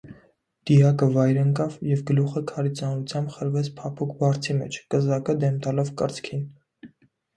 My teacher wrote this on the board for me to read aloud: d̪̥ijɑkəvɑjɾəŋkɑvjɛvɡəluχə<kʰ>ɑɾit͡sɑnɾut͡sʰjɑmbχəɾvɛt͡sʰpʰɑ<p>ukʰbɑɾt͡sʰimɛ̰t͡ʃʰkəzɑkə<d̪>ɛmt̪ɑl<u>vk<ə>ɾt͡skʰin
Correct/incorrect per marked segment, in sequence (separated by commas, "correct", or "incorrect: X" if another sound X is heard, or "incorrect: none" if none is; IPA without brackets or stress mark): correct, incorrect: pʰ, correct, incorrect: ɔ, correct